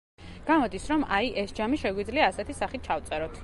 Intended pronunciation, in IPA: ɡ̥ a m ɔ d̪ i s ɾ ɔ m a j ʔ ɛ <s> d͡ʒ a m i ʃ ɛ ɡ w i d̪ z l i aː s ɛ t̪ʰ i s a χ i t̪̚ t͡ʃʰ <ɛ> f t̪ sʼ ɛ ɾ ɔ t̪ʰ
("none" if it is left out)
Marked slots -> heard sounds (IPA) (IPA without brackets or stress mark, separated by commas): s, a